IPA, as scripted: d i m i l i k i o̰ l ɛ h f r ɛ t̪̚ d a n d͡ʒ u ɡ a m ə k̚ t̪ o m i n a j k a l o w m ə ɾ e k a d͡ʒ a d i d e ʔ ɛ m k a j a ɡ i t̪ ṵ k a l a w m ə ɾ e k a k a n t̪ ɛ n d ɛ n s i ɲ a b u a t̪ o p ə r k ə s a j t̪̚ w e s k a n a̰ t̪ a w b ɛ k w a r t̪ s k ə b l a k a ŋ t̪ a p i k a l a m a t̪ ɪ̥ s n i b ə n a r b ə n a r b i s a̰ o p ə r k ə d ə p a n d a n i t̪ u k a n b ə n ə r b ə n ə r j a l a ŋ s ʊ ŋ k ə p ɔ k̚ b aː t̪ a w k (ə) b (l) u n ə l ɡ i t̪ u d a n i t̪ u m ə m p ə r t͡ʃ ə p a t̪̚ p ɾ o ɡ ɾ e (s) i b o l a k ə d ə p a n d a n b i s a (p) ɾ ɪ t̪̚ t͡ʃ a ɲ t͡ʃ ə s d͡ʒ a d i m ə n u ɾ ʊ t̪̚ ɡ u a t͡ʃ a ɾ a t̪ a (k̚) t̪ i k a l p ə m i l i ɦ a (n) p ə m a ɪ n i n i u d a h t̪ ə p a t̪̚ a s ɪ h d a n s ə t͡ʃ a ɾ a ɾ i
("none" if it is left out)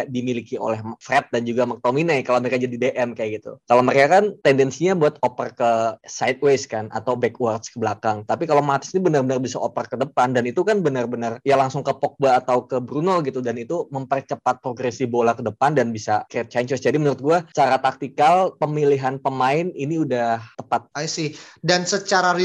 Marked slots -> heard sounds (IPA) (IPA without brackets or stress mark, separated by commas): ə, ɾ, s, k, k̚, n